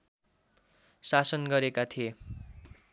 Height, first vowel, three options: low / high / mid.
low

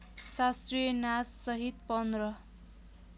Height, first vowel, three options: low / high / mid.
low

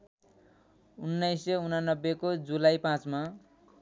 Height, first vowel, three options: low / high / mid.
high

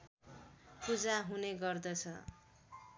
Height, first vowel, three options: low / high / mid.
high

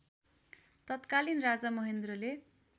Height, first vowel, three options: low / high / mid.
mid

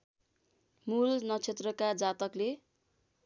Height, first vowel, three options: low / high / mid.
high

